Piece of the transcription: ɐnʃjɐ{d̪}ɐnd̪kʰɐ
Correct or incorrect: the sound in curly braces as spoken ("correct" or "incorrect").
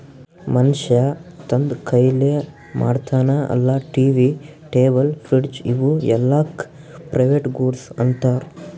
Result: incorrect